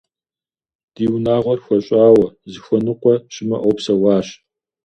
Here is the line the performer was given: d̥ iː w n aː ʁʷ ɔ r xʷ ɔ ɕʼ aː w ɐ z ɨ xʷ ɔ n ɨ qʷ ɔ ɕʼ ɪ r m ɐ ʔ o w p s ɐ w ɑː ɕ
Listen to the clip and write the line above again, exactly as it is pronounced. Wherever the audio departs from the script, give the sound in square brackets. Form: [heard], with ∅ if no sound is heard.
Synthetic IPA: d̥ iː w n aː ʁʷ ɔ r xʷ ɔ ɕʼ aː w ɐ z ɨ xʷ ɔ n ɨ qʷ ɔ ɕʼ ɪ [∅] m ɐ ʔ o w p s ɐ w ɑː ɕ